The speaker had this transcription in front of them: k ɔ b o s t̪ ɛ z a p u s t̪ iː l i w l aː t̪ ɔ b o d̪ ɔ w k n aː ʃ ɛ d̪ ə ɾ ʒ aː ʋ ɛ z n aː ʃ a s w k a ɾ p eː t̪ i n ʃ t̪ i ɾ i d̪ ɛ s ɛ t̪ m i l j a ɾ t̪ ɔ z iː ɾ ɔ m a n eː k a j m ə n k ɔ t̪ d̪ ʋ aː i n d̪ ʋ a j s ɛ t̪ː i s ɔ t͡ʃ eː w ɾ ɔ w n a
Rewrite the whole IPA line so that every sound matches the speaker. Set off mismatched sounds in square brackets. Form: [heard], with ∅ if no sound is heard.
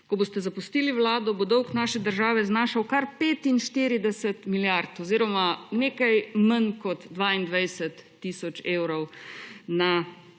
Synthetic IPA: k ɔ b o s t̪ ɛ z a p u s t̪ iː l i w l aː [d̪] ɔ b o d̪ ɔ w k n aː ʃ ɛ d̪ ə ɾ ʒ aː ʋ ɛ z n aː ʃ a [∅] w k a ɾ p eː t̪ i n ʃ t̪ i ɾ i d̪ ɛ s ɛ t̪ m i l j a ɾ t̪ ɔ z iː ɾ ɔ m a n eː k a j m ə n k ɔ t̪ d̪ ʋ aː i n d̪ ʋ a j s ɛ t̪ː i s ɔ t͡ʃ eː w ɾ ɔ w n a